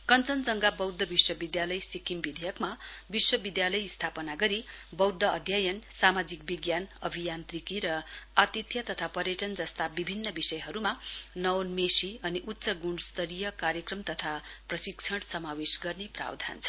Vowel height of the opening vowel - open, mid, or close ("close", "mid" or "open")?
mid